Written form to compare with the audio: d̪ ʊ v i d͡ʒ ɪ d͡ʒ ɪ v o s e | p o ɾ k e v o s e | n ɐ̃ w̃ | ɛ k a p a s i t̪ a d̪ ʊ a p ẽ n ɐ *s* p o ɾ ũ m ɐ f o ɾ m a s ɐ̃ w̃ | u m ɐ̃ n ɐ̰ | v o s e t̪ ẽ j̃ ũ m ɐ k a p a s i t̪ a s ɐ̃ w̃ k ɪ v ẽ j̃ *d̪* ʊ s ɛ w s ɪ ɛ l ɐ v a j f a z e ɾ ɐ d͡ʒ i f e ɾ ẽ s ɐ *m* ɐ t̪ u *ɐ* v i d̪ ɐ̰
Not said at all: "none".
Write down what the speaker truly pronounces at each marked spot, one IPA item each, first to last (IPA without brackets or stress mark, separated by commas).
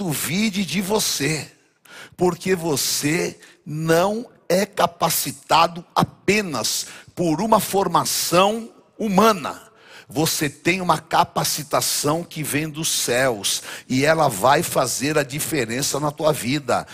s, d̪, n, ɐ